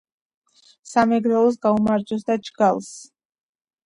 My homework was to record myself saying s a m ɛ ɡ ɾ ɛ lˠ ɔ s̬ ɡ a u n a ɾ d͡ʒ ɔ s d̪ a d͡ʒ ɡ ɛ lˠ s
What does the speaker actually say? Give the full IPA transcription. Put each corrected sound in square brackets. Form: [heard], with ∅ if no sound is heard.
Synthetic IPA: s a m ɛ ɡ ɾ ɛ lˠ ɔ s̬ ɡ a u [m] a ɾ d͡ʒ ɔ s d̪ a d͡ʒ ɡ [a] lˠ s